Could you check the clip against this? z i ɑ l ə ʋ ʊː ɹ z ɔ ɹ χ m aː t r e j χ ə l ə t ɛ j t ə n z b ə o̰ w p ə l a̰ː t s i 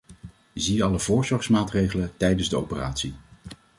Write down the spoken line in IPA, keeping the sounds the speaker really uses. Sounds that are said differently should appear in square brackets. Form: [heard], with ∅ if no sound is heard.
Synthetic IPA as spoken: z i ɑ l ə [v] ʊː ɹ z ɔ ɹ [s] m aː t r e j χ ə l ə t ɛ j [d] ə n z [d] ə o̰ w p ə [r] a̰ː t s i